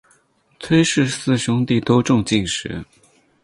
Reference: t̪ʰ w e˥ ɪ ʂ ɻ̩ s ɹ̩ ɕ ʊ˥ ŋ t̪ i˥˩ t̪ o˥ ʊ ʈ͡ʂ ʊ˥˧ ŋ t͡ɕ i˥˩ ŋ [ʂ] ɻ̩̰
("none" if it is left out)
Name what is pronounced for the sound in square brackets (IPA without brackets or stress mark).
ʂ